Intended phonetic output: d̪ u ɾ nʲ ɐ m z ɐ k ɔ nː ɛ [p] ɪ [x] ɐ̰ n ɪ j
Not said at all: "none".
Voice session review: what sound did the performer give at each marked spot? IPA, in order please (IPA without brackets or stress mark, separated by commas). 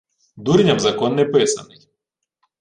p, s